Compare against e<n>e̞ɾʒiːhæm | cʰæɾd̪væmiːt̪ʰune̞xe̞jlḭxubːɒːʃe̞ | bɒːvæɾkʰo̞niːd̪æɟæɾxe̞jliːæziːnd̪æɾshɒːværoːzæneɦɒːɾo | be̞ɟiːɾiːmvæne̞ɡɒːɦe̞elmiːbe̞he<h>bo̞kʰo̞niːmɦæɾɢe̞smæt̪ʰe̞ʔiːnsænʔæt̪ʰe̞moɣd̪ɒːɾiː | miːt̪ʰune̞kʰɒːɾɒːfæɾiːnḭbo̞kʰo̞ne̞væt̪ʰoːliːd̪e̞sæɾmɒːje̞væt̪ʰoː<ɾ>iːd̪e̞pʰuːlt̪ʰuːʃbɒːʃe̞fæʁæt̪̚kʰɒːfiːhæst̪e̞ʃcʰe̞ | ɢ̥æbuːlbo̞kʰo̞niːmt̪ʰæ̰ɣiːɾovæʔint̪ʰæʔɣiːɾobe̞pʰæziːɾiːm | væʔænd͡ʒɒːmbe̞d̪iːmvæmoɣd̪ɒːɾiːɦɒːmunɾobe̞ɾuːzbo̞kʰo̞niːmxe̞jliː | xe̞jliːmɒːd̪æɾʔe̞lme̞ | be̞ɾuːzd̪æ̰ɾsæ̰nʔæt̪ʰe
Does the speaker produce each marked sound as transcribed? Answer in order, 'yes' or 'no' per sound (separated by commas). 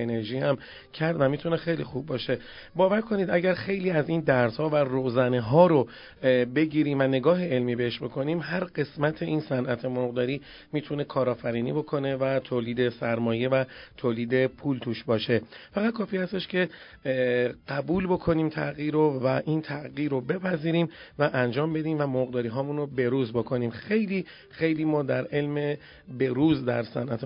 yes, no, no